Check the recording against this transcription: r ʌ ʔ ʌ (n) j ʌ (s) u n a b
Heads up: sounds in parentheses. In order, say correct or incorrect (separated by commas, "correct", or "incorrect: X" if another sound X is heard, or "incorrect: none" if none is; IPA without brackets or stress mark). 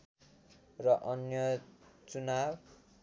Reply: correct, incorrect: t͡s